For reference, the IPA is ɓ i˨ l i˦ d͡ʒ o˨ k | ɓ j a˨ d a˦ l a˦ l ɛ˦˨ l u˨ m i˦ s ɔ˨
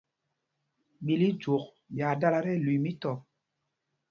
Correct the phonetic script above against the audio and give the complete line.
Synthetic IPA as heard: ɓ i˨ l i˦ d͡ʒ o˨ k | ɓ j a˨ d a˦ l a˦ ɾ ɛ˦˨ l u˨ m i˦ t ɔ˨